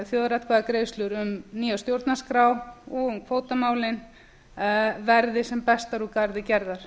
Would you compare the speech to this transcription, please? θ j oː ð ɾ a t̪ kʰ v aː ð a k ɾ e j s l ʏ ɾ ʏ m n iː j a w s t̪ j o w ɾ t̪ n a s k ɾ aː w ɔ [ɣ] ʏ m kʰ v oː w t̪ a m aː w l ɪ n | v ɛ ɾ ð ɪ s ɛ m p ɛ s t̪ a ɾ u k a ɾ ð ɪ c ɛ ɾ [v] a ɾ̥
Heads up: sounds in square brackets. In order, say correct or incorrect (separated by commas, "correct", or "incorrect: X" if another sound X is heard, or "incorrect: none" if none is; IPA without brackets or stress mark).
correct, incorrect: ð